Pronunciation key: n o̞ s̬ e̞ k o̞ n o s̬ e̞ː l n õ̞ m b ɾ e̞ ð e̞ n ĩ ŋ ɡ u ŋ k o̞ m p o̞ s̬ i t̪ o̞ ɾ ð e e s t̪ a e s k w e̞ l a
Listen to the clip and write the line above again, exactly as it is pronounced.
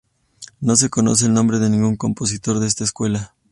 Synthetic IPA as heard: n o̞ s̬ e̞ k o̞ n o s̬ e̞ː l n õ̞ m b ɾ e̞ ð e̞ n ĩ ŋ ɡ u ŋ k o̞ m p o̞ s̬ i t̪ o̞ ɾ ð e e s t̪ a e s k w e̞ l a